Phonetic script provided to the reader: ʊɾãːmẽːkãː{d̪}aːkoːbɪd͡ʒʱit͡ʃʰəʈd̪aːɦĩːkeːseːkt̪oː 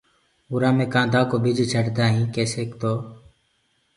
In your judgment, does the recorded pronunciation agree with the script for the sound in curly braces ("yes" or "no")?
yes